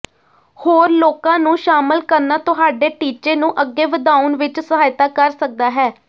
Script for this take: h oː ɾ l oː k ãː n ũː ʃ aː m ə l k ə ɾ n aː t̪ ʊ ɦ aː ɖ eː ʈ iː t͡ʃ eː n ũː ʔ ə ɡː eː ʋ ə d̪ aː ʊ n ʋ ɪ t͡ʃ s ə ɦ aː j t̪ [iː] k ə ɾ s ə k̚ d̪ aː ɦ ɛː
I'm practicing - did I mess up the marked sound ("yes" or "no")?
yes